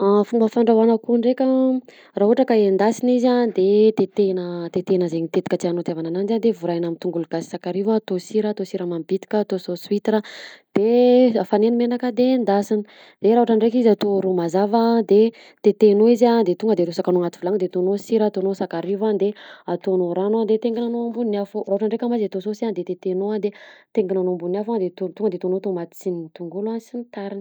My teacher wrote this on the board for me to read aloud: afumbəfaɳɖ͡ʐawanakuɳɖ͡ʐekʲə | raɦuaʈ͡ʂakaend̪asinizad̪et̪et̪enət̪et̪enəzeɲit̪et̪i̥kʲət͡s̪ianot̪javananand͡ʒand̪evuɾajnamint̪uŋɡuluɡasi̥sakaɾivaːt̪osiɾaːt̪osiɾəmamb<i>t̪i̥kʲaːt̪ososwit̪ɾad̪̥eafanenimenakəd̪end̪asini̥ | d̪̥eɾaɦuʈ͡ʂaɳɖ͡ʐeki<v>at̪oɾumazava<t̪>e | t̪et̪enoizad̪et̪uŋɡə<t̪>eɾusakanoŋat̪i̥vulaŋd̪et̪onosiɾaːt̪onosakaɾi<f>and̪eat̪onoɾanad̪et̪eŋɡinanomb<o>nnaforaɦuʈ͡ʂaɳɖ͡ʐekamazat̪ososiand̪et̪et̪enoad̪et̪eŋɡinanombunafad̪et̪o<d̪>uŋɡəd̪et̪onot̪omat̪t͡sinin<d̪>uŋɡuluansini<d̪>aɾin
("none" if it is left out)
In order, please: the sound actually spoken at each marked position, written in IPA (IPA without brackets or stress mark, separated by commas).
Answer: i, z, d̪, d̪, v, u, t̪, t̪, t̪